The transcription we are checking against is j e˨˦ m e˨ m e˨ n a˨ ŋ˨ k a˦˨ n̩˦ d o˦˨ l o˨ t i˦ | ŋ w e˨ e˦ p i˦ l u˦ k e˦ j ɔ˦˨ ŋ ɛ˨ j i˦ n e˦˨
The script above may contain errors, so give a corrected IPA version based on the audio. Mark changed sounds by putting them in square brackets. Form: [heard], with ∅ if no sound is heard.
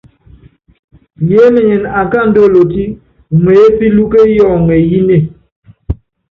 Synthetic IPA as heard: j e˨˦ m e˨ [ɲ] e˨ n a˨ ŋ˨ k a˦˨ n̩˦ d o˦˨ l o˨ t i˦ | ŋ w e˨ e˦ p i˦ l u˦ k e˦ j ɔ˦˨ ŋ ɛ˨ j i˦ n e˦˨